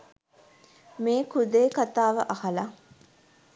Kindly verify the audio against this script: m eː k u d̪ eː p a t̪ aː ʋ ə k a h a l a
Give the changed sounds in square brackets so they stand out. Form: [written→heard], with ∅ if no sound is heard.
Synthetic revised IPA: m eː k u d̪ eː [p→k] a t̪ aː ʋ ə [k→ʔ] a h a l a